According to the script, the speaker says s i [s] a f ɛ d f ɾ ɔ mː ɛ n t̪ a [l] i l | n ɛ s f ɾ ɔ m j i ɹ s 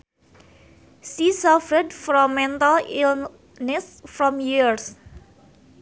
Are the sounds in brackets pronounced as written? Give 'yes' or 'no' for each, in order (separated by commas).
yes, yes